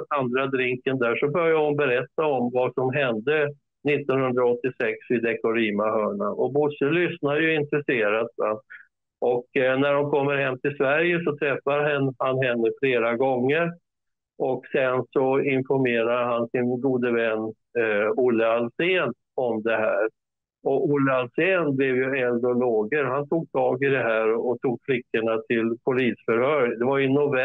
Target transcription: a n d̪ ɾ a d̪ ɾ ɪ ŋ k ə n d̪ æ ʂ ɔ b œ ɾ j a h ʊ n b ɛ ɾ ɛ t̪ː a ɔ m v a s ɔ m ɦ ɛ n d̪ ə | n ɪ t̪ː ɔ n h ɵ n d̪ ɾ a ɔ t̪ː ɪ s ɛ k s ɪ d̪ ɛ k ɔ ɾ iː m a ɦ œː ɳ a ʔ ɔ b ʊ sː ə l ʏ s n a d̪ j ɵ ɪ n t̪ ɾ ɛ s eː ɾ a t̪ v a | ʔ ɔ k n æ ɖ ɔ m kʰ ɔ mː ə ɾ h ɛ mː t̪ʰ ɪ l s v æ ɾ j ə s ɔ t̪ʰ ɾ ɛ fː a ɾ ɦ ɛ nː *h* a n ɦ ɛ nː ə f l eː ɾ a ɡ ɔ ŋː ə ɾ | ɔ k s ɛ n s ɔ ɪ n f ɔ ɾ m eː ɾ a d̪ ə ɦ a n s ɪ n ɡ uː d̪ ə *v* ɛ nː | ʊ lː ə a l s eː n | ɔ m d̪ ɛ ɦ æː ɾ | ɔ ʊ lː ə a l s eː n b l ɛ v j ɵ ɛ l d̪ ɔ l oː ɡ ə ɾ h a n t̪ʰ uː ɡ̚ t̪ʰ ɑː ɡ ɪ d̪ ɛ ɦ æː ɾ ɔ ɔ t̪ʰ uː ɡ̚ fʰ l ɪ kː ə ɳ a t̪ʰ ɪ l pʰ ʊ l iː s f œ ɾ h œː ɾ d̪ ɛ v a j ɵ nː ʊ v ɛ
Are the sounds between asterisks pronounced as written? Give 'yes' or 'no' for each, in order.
yes, yes

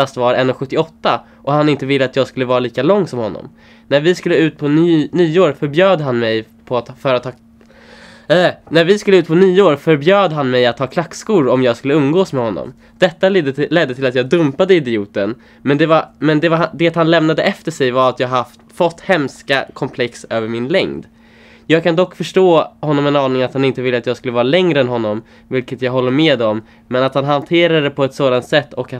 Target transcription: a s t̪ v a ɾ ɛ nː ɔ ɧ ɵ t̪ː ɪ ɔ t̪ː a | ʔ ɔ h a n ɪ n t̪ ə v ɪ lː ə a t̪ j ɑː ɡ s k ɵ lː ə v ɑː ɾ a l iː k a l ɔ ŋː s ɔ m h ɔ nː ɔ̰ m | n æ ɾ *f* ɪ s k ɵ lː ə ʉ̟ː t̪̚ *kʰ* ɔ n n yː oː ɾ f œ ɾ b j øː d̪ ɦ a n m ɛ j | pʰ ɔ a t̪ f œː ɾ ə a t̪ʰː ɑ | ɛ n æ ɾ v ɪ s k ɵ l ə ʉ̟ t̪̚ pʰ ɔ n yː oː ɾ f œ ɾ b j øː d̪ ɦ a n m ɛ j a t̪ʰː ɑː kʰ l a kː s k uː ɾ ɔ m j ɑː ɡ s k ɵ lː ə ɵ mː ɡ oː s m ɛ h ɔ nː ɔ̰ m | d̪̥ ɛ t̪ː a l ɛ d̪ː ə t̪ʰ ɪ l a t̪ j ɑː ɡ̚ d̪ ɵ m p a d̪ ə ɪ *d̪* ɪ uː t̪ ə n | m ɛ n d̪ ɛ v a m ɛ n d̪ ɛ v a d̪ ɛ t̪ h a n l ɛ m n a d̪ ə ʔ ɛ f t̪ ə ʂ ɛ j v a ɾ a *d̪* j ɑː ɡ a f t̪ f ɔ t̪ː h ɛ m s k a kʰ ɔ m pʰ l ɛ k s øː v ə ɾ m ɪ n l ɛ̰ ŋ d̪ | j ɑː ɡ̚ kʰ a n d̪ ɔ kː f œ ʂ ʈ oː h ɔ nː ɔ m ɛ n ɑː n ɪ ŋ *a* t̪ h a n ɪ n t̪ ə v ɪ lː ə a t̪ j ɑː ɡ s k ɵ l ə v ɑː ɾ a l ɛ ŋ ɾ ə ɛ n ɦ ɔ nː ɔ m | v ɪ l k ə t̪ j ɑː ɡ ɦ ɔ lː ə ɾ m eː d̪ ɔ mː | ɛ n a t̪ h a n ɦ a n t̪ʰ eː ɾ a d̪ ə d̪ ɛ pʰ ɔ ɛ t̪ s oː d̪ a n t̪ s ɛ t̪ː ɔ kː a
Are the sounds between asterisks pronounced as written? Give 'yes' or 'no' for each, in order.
no, no, yes, no, yes

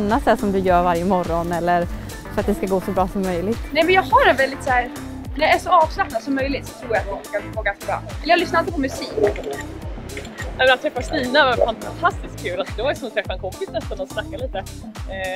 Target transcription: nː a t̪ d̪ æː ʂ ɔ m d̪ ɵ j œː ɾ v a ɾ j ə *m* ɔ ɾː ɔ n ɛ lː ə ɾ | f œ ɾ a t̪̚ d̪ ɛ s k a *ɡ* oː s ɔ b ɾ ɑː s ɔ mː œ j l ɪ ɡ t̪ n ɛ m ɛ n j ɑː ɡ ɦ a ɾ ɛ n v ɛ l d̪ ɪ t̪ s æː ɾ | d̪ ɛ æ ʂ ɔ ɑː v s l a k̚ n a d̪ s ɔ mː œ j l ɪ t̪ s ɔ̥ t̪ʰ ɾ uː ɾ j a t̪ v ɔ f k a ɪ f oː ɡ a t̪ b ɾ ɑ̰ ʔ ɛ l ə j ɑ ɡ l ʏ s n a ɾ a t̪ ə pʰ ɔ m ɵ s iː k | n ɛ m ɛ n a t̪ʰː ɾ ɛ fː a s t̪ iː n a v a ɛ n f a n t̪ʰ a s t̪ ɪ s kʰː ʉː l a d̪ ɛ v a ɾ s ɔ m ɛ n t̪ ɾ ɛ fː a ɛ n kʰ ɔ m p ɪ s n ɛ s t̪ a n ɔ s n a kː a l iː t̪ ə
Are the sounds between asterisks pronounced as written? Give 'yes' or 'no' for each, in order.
yes, yes

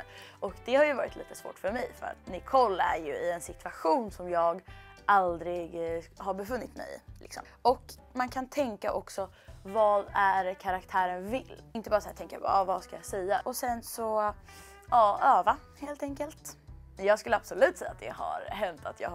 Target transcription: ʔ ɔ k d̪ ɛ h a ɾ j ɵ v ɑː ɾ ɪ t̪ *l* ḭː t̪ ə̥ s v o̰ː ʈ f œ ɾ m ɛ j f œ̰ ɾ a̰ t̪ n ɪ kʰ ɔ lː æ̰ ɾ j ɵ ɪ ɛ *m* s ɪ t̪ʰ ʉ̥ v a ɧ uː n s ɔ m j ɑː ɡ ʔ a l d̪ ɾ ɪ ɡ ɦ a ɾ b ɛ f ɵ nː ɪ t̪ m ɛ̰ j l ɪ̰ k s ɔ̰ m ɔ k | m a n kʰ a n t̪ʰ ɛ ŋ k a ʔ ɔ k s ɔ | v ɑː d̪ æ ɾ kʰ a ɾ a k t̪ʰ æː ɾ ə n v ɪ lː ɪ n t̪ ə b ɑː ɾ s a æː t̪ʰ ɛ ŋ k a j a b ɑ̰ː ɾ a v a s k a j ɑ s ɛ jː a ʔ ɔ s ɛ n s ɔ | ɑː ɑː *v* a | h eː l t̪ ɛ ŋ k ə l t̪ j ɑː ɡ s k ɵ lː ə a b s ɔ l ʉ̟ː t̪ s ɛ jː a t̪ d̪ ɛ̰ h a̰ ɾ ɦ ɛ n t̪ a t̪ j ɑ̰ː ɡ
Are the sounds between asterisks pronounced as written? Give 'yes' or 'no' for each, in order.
yes, no, yes

